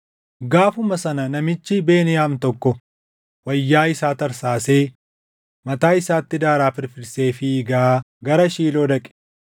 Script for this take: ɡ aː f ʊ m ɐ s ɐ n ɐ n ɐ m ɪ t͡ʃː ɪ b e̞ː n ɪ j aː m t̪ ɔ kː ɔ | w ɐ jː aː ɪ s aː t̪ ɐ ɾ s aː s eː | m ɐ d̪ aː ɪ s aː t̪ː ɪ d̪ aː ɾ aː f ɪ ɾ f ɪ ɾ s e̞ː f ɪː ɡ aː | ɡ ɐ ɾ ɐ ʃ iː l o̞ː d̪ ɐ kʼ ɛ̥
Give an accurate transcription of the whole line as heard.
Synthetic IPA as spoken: ɡ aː f ʊ m ɐ s ɐ n ɐ n ɐ m ɪ t͡ʃː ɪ b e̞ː n ɪ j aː m t̪ ɔ kː ɔ | w ɐ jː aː ɪ s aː t̪ ɐ ɾ s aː s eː | m ɐ t̪ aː ɪ s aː t̪ː ɪ d̪ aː ɾ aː f ɪ ɾ f ɪ ɾ s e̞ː f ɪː ɡ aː | ɡ ɐ ɾ ɐ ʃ iː l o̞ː d̪ ɐ kʼ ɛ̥